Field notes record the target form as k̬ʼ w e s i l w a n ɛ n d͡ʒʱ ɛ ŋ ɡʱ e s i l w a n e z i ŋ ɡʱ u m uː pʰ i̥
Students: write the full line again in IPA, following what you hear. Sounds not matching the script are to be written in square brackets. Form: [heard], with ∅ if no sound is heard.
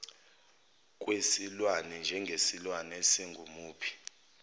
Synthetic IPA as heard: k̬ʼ w e s i l w a n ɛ n d͡ʒʱ ɛ ŋ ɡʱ e s i l w a n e [s] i ŋ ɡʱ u m uː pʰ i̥